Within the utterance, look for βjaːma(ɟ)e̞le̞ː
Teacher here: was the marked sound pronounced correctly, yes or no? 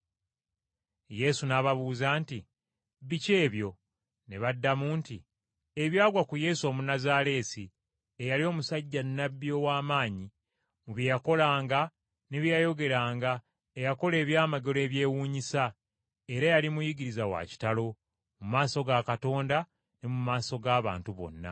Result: no